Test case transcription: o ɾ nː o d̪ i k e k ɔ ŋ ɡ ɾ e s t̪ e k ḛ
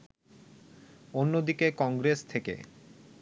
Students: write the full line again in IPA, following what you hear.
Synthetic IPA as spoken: o nː o d̪ i k e k ɔ ŋ ɡ ɾ e s t̪ʰ e k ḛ